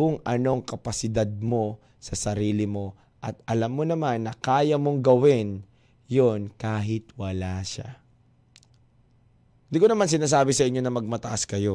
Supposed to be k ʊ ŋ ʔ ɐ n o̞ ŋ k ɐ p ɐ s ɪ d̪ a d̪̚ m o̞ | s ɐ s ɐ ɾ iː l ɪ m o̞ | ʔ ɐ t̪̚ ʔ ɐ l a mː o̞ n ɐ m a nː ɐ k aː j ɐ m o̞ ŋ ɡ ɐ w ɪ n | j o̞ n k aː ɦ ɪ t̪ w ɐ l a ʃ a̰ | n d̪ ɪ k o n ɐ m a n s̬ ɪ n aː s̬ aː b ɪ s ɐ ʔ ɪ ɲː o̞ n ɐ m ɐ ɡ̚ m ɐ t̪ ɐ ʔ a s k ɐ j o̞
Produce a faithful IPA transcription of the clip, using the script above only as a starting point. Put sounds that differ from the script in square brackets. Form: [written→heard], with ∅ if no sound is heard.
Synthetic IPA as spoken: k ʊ ŋ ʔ ɐ n o̞ ŋ k ɐ p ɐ s ɪ d̪ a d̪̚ m o̞ | s ɐ s ɐ ɾ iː l ɪ m o̞ | ʔ ɐ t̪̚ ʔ ɐ l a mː o̞ n ɐ m a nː ɐ k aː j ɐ m o̞ ŋ ɡ ɐ w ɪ n | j o̞ n k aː ɦ ɪ t̪ w ɐ l a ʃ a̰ | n d̪ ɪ k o n ɐ m a n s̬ ɪ n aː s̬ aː b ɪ s ɐ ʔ ɪ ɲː o̞ n ɐ m ɐ ɡ̚ m ɐ t̪ ɐ ʔ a s k ɐ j o̞